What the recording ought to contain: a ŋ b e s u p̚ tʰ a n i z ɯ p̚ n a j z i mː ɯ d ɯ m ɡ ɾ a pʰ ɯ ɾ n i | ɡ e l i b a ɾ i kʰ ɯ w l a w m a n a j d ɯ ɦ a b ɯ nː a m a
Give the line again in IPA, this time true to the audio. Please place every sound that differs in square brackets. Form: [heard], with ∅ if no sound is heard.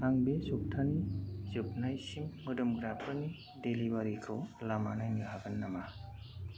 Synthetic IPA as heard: a ŋ b e s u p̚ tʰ a n i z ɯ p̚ n a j [s] i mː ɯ d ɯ m ɡ ɾ a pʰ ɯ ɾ n i | [d] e l i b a ɾ i kʰ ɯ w l a [∅] m a n a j [n] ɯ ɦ a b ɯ nː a m a